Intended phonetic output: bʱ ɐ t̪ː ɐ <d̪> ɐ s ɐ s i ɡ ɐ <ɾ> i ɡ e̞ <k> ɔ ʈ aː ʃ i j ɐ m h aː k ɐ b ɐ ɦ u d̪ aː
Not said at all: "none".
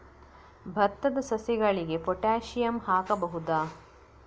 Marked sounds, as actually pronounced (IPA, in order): d̪, ɭ, p

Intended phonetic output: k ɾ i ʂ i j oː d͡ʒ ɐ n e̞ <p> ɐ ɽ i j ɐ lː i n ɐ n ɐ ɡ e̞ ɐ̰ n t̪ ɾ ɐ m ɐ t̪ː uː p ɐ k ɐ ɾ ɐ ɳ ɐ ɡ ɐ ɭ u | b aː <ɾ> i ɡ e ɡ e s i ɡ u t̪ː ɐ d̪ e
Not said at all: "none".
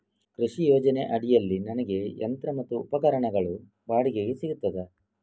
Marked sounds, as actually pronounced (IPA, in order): ʔ, ɽ

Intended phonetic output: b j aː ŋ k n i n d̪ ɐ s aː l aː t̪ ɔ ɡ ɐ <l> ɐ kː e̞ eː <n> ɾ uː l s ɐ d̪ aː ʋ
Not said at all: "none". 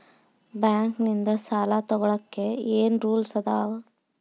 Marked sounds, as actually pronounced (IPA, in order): ɭ, n

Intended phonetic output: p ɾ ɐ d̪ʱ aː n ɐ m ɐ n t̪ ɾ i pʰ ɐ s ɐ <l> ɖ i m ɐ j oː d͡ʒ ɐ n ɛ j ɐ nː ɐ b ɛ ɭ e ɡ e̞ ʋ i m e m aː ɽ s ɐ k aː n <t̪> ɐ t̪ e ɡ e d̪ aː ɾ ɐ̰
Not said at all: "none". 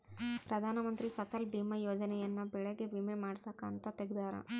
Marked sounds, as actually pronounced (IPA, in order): l, t̪

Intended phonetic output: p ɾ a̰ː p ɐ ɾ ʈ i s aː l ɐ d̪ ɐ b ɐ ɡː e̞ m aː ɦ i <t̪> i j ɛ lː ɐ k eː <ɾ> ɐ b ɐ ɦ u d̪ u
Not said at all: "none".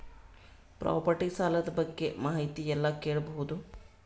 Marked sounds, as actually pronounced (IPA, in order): t̪, ɭ

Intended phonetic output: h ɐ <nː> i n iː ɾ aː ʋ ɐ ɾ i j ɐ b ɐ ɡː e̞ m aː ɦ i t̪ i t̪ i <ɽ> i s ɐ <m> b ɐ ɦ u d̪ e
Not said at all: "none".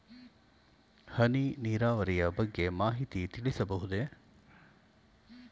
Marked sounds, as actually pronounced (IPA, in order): n, ɭ, none

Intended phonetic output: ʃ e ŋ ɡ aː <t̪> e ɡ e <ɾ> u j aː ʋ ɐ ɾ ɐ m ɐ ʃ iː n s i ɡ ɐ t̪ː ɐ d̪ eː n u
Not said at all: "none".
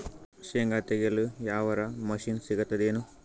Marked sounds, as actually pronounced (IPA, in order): t̪, l

